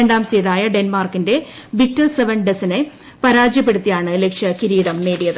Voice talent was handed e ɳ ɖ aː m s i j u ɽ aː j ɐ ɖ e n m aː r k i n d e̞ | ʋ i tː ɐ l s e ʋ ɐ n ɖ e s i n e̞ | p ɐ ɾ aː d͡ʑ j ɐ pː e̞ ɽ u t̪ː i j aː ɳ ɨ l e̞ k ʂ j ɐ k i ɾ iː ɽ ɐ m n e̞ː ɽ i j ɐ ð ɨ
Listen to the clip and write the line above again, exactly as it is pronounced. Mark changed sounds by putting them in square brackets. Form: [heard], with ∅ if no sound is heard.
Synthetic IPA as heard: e ɳ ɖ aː m s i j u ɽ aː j ɐ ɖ e n m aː r k i n d e̞ | ʋ i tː ɐ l s e ʋ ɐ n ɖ e s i n e̞ | p ɐ ɾ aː d͡ʑ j ɐ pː e̞ ɽ u t̪ː i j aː ɳ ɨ l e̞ k ʂ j ɐ k i ɾ iː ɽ ɐ m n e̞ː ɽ i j ɐ ð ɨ